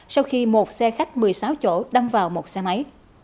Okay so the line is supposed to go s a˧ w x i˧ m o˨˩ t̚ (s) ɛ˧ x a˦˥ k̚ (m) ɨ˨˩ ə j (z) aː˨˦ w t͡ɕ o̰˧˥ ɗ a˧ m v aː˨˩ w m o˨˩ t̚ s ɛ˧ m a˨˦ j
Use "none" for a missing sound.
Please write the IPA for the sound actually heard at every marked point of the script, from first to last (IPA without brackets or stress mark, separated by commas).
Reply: s, m, s